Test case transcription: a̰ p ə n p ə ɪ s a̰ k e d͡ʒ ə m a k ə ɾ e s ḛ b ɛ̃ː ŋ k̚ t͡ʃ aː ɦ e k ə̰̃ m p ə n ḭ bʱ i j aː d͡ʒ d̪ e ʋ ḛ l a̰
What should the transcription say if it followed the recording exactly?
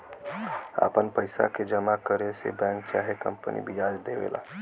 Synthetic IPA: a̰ p ə n p ə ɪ s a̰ k e d͡ʒ ə m a k ə ɾ e s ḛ b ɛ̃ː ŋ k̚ t͡ʃ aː ɦ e k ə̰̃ m p ə n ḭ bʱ i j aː d͡ʒ d̪ e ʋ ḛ l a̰